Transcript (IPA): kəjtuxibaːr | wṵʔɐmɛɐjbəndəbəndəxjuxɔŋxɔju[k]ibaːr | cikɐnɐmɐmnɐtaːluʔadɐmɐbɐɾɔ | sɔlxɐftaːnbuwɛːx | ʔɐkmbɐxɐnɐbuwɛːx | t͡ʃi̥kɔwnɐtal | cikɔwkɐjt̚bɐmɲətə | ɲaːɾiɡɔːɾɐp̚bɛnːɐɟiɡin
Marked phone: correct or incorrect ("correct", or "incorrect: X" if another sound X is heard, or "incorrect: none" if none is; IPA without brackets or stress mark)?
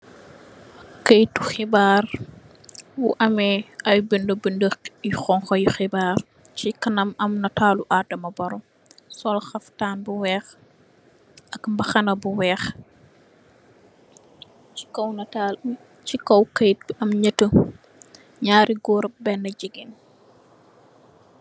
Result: incorrect: x